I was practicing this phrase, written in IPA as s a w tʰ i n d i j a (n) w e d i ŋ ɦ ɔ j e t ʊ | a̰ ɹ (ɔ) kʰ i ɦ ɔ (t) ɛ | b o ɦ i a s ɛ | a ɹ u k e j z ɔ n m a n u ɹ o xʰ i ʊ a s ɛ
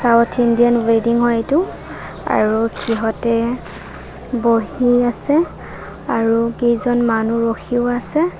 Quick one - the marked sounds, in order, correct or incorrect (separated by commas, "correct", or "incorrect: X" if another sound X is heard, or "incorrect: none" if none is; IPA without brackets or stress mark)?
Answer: correct, incorrect: u, correct